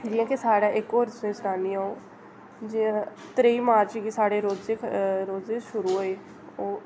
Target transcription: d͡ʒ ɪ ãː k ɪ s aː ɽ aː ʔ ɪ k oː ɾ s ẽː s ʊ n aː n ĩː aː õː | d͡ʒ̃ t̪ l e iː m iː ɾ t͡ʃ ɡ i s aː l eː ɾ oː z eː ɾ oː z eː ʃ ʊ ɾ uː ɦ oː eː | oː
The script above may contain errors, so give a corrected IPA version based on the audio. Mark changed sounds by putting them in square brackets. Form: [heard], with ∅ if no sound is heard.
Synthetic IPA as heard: d͡ʒ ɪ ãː k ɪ s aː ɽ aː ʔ ɪ k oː ɾ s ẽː s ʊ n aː n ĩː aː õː | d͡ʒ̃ t̪ [ɾ] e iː m [aː] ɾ t͡ʃ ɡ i s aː [ɽ] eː ɾ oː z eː ɾ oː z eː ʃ ʊ ɾ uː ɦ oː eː | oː

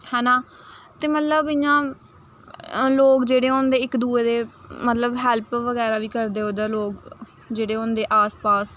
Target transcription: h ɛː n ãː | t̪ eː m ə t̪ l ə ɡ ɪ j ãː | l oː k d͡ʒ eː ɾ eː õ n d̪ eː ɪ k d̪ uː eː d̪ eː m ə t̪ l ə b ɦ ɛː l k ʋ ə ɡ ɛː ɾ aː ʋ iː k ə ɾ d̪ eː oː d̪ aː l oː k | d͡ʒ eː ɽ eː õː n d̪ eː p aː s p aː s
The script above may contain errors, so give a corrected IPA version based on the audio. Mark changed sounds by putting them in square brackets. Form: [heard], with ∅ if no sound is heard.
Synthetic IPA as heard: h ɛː n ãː | t̪ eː m ə t̪ l ə [b] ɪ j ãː | l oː k d͡ʒ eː [ɽ] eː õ n d̪ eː ɪ k d̪ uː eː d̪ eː m ə t̪ l ə b ɦ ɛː l [p] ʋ ə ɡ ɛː ɾ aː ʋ iː k ə ɾ d̪ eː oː d̪ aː l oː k | d͡ʒ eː ɽ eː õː n d̪ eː [ʔ] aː s p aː s

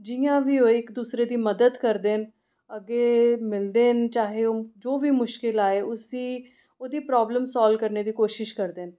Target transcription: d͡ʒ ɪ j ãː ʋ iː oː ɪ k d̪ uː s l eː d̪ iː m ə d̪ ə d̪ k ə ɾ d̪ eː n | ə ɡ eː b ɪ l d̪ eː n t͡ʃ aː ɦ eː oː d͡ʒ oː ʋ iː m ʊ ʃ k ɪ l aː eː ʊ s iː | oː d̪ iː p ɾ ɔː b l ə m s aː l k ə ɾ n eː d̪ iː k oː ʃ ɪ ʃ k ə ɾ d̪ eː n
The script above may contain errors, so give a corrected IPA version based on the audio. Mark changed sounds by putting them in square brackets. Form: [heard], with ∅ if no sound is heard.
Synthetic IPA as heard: d͡ʒ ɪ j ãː ʋ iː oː ɪ k d̪ uː s [ɾ] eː d̪ iː m ə d̪ ə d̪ k ə ɾ d̪ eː n | ə ɡ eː [m] ɪ l d̪ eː n t͡ʃ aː ɦ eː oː d͡ʒ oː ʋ iː m ʊ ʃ k ɪ l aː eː ʊ s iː | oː d̪ iː p ɾ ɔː b l ə m s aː l k ə ɾ n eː d̪ iː k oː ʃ ɪ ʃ k ə ɾ d̪ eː n

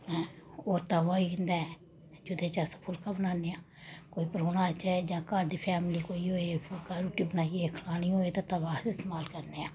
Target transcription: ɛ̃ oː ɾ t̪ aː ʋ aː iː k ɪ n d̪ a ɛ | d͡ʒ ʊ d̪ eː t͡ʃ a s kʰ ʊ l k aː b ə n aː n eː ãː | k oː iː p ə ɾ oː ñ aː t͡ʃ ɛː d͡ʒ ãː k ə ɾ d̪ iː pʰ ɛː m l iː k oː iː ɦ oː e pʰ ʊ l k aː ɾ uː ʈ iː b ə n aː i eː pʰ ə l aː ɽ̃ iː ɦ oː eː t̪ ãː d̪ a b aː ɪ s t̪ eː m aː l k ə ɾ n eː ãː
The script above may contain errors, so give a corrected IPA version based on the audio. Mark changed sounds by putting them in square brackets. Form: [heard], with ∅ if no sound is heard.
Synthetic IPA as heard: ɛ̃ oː ɾ t̪ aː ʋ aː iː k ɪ n d̪ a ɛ | d͡ʒ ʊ d̪ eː t͡ʃ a s [pʰ] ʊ l k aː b ə n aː n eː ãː | k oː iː p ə ɾ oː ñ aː t͡ʃ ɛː d͡ʒ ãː k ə ɾ d̪ iː pʰ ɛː m l iː k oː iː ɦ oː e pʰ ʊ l k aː ɾ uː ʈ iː b ə n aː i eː [kʰ] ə l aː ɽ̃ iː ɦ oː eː t̪ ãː [t̪] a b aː ɪ s t̪ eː m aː l k ə ɾ n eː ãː

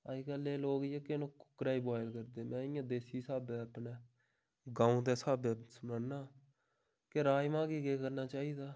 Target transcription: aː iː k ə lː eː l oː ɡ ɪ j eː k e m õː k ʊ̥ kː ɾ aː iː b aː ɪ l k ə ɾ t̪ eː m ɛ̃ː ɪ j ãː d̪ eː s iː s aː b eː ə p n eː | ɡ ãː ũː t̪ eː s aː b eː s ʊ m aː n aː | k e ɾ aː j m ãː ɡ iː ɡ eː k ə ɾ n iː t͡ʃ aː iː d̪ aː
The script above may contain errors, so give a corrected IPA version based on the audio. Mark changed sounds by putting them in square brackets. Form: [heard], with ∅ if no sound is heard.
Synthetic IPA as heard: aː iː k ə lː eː l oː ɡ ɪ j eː k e [n] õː k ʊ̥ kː ɾ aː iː b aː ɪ l k ə ɾ [d̪] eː m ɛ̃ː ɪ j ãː d̪ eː s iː s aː b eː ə p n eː | ɡ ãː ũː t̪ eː s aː b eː s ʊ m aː n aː | k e ɾ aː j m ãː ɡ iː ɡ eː k ə ɾ n [aː] t͡ʃ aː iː d̪ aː

